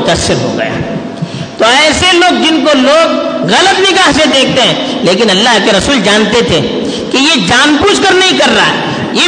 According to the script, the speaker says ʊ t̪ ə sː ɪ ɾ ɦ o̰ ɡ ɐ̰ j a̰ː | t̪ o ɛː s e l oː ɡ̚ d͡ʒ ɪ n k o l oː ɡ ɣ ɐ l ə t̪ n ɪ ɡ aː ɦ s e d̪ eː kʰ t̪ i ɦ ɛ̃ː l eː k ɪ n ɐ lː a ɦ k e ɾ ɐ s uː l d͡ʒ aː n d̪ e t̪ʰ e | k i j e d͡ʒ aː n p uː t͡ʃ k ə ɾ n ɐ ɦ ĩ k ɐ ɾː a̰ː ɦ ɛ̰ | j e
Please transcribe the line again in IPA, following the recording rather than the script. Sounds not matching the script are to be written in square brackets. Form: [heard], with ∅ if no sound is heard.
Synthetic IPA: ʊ t̪ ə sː ɪ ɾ ɦ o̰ ɡ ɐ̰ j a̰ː | t̪ o ɛː s e l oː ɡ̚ d͡ʒ ɪ n k o l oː ɡ ɣ ɐ l ə t̪ n ɪ ɡ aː ɦ s e d̪ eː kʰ t̪ [e] ɦ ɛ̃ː l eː k ɪ n ɐ lː a ɦ k e ɾ ɐ s uː l d͡ʒ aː n [t̪] e t̪ʰ e | k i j e d͡ʒ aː n p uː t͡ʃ k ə ɾ n ɐ ɦ ĩ k ɐ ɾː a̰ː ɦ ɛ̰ | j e